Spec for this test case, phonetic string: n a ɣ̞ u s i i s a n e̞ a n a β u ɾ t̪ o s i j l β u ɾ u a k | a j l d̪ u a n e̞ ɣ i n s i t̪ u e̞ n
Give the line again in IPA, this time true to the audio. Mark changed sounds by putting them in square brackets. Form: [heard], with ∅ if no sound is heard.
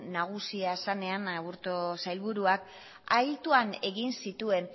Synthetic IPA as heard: n a ɣ̞ u s i [a] s a n e̞ a n a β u ɾ t̪ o s [a] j l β u ɾ u a k | a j l [t̪] u a n e̞ ɣ i n s i t̪ u e̞ n